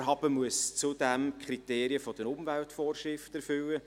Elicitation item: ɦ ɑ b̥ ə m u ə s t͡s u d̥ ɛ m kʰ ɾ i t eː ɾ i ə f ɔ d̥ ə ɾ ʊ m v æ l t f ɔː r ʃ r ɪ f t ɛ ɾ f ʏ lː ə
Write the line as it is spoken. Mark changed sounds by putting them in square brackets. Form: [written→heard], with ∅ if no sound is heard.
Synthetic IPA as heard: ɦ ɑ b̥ ə m u ə s t͡s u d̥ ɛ m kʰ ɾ i t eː ɾ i ə f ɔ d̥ ə ɾ ʊ m v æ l t f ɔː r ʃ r ɪ f t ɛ ɾ f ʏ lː ə